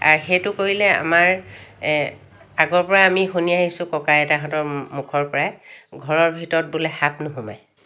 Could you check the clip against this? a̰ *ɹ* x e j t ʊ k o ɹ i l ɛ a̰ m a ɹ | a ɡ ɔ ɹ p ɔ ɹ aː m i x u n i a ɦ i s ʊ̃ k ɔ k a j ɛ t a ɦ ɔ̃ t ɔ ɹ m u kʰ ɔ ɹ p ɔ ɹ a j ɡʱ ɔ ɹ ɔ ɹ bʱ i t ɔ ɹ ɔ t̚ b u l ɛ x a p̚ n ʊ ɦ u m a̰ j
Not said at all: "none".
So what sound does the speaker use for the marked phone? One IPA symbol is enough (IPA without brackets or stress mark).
ɹ